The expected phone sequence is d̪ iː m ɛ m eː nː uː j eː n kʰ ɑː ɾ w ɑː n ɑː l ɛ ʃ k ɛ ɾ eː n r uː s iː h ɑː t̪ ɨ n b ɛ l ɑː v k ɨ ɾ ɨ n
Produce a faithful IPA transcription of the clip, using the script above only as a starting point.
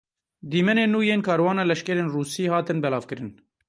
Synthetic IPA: d̪ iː m ɛ n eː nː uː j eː n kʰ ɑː ɾ w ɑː n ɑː l ɛ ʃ k ɛ ɾ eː n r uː s iː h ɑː t̪ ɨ n b ɛ l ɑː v k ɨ ɾ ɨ n

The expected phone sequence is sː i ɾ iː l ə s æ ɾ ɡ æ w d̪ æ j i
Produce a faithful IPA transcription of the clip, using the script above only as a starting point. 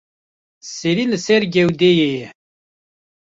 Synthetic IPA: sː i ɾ i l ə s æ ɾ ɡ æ w d̪ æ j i

